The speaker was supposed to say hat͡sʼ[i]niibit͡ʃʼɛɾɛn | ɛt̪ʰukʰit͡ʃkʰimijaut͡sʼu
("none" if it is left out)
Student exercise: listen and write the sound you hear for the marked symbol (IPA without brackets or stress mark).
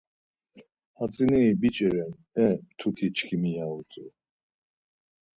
i